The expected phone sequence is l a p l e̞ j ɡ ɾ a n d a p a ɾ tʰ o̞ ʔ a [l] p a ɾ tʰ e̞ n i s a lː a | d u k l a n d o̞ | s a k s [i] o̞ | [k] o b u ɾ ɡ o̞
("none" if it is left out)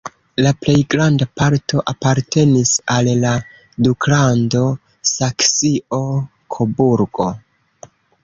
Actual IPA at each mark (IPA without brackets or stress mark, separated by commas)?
none, i, kʰ